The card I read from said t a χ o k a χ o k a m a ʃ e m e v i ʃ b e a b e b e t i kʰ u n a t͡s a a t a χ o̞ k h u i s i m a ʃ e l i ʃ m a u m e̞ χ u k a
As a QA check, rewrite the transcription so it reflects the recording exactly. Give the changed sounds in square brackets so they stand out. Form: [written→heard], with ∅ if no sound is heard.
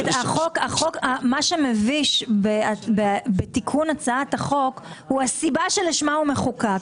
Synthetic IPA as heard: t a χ o k a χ o k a m a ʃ e m e v i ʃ b e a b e b e t i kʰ u n a t͡s a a t a χ o̞ k h u [i→a] s i [m→b] a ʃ e l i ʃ m a u m e̞ χ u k a